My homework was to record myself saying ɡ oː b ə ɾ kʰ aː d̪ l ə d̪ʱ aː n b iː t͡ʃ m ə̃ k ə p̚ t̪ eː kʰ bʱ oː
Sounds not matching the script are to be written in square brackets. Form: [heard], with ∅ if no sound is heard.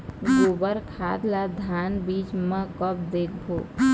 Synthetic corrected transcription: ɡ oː b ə ɾ kʰ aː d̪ l [a] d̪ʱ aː n b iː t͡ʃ m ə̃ k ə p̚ [d̪] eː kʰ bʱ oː